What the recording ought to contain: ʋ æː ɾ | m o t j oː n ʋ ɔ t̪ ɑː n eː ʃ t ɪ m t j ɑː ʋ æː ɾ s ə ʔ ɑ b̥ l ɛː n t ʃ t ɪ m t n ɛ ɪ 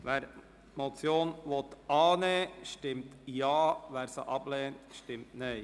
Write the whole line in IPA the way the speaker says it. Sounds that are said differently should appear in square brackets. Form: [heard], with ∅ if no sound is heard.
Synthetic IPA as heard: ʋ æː ɾ | m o [t͡s] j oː n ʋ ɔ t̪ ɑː n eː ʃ t ɪ m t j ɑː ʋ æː ɾ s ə ʔ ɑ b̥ l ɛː n t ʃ t ɪ m t n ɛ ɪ